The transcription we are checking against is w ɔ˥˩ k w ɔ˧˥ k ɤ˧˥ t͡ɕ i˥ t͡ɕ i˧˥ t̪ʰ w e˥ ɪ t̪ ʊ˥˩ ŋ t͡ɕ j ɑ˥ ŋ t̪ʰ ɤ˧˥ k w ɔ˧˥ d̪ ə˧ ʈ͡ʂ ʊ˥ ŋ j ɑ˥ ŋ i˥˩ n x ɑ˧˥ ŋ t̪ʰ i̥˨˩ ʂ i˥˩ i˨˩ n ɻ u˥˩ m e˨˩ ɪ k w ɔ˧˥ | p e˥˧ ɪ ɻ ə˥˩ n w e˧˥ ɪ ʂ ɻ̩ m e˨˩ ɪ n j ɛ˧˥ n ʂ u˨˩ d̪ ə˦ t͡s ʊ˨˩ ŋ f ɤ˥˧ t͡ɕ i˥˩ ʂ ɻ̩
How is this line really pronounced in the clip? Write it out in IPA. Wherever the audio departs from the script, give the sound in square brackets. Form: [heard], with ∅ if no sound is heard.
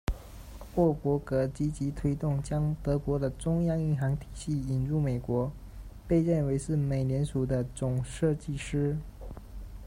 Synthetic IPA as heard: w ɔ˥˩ k w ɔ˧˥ k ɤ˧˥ t͡ɕ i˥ t͡ɕ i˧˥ t̪ʰ w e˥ ɪ t̪ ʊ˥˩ ŋ t͡ɕ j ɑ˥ ŋ [t̪] ɤ˧˥ k w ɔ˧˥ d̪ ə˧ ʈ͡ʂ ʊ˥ ŋ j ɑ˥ ŋ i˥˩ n x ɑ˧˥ ŋ t̪ʰ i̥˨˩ [ɕ] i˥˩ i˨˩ n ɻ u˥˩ m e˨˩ ɪ k w ɔ˧˥ | p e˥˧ ɪ ɻ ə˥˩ n w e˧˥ ɪ ʂ ɻ̩ m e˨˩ ɪ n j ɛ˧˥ n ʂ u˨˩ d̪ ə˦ t͡s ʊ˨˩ ŋ [ʂ] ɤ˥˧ t͡ɕ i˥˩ ʂ ɻ̩